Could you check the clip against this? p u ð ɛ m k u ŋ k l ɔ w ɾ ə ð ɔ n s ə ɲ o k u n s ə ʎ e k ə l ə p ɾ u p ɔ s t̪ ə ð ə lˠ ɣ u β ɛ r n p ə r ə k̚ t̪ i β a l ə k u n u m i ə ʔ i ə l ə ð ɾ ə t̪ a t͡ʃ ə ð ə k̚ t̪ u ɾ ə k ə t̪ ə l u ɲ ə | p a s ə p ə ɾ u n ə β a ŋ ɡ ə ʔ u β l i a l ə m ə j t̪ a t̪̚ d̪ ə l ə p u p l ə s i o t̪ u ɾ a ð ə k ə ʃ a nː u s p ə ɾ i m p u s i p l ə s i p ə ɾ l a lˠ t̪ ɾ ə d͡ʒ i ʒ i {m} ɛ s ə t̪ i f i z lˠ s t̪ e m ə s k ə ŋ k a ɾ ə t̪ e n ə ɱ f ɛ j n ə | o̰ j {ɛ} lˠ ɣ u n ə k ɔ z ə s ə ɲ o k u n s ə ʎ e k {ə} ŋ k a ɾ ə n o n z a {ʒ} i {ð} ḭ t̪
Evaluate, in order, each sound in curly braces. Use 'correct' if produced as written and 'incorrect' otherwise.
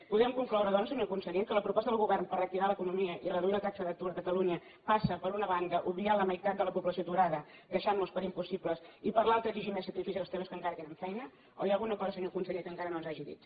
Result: correct, incorrect, correct, correct, correct

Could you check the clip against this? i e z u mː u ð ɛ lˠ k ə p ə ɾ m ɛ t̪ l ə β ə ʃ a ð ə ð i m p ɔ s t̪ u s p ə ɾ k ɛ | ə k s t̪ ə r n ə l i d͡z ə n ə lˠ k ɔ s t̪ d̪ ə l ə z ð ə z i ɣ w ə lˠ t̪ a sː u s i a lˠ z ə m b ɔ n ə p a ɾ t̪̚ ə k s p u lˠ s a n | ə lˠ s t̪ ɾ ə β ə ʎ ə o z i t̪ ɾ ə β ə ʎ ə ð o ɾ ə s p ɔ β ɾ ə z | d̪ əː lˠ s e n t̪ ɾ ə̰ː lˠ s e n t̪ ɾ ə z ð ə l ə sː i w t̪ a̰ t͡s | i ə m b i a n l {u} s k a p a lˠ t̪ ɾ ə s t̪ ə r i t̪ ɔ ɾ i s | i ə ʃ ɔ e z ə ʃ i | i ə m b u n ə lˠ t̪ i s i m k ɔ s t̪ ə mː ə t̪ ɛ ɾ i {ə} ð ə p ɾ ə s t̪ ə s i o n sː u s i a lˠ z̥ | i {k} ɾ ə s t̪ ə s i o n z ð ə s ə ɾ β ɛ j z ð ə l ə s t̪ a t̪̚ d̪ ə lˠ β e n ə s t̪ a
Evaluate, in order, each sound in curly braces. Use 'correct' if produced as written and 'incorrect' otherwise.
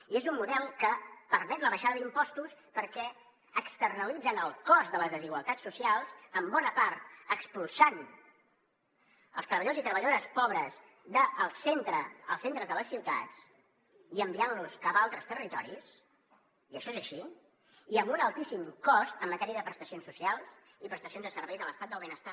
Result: correct, correct, incorrect

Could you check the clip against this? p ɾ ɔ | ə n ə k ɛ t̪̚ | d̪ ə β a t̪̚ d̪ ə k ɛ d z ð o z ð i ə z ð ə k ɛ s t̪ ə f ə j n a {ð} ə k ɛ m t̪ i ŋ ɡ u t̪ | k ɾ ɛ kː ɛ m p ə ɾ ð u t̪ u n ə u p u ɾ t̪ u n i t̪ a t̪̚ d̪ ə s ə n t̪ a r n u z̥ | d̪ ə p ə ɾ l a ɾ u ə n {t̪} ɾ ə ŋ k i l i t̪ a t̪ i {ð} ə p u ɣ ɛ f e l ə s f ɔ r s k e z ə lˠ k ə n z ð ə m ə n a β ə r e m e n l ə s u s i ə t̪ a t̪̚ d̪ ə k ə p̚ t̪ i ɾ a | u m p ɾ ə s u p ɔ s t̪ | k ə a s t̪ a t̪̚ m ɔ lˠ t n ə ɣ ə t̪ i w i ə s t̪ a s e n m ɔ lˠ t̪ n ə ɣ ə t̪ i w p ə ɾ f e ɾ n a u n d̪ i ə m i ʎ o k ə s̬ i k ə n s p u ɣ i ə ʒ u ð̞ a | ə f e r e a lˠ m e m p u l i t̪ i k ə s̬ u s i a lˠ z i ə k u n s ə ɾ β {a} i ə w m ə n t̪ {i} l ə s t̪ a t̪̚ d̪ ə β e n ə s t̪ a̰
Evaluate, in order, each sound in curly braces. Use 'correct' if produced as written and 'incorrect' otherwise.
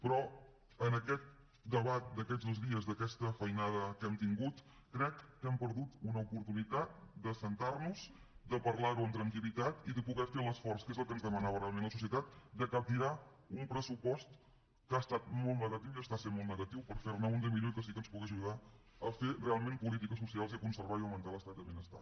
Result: correct, correct, correct, correct, incorrect

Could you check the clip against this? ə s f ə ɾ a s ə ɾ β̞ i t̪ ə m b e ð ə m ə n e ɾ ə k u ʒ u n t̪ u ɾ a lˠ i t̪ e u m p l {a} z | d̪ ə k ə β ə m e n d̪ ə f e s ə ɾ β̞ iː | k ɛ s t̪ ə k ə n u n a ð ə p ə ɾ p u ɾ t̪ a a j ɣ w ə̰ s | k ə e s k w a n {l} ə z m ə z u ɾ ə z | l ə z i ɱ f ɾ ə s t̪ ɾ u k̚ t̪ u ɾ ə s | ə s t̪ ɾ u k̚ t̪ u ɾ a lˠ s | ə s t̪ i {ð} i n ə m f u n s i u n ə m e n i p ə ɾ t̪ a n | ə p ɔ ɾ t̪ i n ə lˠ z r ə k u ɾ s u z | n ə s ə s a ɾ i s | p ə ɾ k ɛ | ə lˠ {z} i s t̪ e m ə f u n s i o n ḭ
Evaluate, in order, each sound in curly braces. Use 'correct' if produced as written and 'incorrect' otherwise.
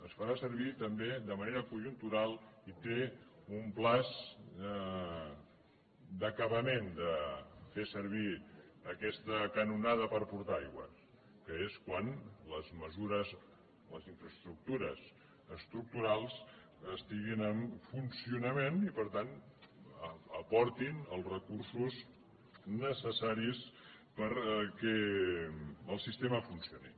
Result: correct, correct, incorrect, incorrect

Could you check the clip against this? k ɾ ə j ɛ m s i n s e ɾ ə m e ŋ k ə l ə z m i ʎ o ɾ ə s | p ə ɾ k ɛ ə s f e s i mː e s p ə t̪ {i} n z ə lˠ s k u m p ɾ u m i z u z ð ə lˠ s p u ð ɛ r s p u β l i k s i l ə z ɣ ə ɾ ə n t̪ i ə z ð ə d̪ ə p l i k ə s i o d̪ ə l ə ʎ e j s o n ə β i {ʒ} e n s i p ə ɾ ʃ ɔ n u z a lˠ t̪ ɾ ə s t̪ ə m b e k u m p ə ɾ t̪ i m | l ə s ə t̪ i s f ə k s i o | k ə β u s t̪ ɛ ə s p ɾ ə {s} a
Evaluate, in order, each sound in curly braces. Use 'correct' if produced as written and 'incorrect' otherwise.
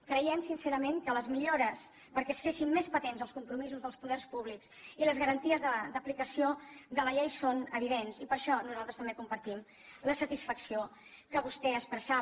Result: incorrect, incorrect, correct

